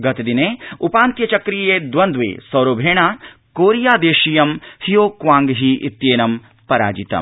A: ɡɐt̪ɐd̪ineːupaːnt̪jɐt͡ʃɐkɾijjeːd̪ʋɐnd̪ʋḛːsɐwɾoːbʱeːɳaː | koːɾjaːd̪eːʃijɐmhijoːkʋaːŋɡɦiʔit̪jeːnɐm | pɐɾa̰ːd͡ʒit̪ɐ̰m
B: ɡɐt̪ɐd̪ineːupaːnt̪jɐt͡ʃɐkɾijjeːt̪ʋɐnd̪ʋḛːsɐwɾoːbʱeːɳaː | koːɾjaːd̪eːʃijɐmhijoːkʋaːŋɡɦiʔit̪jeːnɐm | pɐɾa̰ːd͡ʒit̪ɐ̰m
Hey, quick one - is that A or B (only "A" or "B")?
A